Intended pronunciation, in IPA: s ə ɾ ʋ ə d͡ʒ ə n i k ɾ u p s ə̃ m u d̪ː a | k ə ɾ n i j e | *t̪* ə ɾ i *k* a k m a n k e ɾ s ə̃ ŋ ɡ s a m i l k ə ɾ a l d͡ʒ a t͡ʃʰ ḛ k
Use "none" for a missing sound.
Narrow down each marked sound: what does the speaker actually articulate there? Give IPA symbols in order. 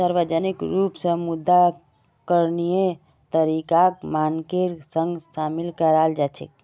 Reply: t̪, k

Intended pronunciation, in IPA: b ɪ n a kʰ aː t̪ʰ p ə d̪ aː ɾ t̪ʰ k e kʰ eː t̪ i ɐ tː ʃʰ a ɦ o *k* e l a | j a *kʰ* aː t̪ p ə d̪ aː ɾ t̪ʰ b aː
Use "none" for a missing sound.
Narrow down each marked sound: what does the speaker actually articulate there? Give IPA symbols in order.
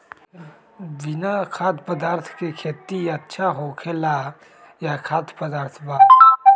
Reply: kʰ, kʰ

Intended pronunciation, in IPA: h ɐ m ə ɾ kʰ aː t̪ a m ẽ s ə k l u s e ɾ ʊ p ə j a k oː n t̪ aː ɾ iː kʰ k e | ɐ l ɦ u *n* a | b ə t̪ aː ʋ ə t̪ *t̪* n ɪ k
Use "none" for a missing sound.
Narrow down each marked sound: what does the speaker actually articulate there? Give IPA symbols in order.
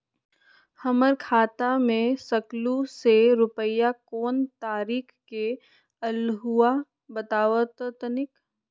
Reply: none, t̪

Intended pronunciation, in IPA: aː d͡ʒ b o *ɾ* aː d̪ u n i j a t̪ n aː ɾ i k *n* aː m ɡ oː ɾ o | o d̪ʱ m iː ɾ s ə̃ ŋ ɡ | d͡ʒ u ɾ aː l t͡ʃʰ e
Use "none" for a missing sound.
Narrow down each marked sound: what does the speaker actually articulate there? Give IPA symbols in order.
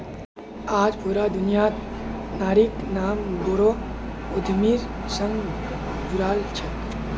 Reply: ɾ, n

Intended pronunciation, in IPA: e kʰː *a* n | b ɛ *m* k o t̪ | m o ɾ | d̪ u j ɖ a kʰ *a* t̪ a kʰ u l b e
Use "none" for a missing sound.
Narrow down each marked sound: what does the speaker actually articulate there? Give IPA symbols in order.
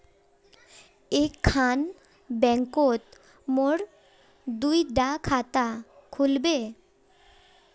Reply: a, ŋ, a

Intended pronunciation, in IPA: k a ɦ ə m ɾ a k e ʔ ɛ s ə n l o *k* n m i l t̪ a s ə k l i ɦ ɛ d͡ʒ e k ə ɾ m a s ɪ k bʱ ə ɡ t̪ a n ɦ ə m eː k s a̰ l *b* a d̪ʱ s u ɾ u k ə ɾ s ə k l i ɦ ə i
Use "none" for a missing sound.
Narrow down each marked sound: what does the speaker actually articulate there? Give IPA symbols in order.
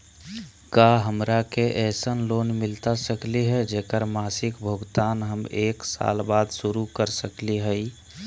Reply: none, b

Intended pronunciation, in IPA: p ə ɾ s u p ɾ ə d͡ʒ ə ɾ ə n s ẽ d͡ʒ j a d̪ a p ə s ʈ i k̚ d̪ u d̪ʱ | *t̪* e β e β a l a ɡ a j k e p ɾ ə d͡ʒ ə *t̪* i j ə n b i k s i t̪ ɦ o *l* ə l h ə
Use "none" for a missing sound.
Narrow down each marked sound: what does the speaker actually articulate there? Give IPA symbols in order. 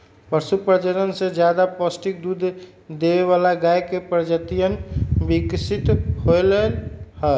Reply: d̪, t̪, l

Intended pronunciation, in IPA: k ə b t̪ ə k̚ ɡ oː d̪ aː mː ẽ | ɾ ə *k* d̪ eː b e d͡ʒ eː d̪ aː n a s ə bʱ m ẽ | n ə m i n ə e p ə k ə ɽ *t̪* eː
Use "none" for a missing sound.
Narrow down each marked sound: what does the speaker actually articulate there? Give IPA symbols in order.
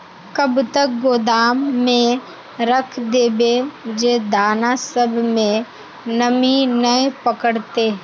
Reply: kʰ, t̪

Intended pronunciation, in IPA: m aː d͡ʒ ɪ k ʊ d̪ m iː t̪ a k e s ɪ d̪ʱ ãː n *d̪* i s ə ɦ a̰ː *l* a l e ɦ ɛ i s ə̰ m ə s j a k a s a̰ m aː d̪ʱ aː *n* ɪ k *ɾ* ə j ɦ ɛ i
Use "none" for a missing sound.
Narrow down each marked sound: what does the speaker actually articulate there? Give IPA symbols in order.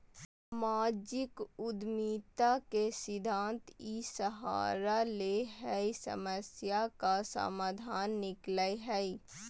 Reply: t̪, ɾ, nː, l

